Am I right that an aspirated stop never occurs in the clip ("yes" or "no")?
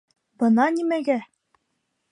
yes